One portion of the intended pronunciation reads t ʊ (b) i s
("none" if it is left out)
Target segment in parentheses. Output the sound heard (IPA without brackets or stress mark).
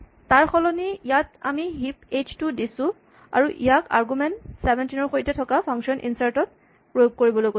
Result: d